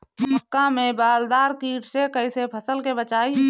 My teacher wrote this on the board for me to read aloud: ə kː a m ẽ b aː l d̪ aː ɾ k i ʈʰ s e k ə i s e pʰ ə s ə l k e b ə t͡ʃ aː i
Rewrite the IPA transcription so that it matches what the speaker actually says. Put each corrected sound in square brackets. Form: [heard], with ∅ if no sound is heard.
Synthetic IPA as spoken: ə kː a m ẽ b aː l d̪ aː ɾ k [iː] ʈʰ s e k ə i s e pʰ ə s ə l k e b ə t͡ʃ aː i